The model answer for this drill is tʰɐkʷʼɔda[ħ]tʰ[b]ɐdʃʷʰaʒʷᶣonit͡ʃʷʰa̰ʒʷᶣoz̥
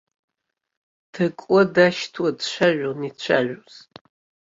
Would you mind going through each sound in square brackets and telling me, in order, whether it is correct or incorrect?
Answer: incorrect: ʃ, incorrect: w

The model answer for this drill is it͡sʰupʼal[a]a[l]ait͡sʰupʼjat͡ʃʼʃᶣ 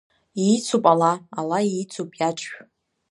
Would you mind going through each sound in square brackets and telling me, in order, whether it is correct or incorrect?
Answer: correct, correct

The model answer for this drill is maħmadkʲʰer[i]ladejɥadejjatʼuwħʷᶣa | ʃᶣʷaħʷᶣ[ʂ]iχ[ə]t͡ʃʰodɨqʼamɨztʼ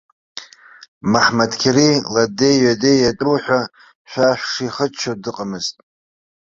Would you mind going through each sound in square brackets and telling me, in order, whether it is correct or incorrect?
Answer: correct, correct, correct

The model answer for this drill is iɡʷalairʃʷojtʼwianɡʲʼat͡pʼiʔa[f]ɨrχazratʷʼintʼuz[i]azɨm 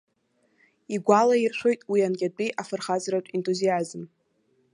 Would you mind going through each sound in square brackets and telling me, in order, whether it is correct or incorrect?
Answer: correct, correct

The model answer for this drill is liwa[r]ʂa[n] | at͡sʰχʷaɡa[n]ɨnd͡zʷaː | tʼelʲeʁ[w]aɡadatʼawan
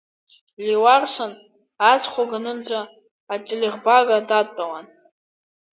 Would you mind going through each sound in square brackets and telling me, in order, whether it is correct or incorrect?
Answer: correct, correct, correct, incorrect: b

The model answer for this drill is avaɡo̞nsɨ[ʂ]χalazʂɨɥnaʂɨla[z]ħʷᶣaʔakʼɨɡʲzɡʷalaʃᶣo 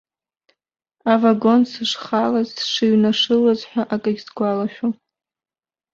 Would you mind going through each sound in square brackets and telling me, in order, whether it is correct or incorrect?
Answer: correct, correct

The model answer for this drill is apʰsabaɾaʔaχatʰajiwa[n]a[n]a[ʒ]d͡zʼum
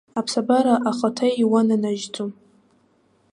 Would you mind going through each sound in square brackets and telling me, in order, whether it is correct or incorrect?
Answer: correct, correct, correct

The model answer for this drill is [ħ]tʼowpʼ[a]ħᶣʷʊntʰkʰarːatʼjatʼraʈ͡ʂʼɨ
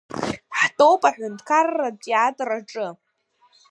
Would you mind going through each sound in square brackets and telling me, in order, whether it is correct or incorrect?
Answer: correct, correct

